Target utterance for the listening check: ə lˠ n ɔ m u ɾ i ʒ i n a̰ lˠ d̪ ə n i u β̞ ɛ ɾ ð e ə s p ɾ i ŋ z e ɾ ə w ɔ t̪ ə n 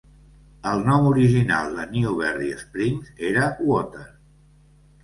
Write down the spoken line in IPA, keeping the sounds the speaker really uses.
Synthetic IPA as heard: ə lˠ n ɔ m u ɾ i ʒ i n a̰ lˠ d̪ ə n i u β̞ ɛ ɾ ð i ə s p ɾ i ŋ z e ɾ ə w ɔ t̪ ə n